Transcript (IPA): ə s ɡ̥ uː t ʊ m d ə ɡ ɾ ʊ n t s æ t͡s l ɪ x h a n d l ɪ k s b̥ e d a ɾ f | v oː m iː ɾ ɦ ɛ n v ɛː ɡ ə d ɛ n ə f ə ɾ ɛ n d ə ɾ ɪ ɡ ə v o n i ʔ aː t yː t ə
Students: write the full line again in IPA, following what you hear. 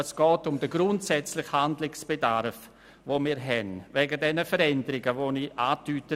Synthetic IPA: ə s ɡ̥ ɔː t ʊ m d ə ɡ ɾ ʊ n t s ɛ t͡s l ɪ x h a n d l ɪ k s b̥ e d a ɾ f | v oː m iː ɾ ɦ ɛ n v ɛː ɡ ə d ɛ n ə f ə ɾ ɛ n d ə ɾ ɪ ɡ ə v o n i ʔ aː t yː t ə